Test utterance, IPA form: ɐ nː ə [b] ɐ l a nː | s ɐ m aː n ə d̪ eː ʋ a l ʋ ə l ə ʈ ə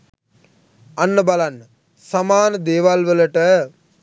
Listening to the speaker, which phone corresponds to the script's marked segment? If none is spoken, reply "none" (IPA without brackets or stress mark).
b